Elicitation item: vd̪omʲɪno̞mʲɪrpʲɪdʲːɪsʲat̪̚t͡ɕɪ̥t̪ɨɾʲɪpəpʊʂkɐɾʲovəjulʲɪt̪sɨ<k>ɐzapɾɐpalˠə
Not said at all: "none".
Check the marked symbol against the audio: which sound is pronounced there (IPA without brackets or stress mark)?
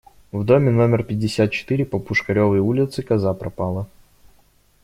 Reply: k